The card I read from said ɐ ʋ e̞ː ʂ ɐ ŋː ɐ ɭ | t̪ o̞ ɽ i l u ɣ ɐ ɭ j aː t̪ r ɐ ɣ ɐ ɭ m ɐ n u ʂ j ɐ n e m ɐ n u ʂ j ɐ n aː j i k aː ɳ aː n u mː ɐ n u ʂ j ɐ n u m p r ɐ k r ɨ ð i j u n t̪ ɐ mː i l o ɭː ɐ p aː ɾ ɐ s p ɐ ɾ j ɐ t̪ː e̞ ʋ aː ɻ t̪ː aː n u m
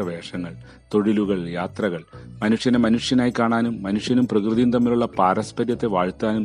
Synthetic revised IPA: ɐ ʋ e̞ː ʂ ɐ ŋː ɐ ɭ | t̪ o̞ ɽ i l u ɣ ɐ ɭ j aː t̪ r ɐ ɣ ɐ ɭ m ɐ n u ʂ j ɐ n e m ɐ n u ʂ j ɐ n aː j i k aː ɳ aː n u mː ɐ n u ʂ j ɐ n u m p r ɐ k r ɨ ð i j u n t̪ ɐ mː i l u ɭː ɐ p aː ɾ ɐ s p ɐ ɾ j ɐ t̪ː e̞ ʋ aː ɻ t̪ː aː n u m